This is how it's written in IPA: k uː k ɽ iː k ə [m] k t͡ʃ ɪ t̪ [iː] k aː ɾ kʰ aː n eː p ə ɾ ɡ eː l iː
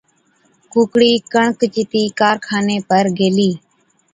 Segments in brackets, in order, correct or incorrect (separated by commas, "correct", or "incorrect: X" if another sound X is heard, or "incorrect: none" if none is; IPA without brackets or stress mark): incorrect: ɳ, correct